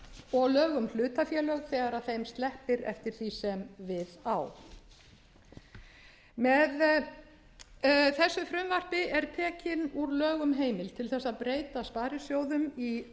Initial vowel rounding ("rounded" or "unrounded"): rounded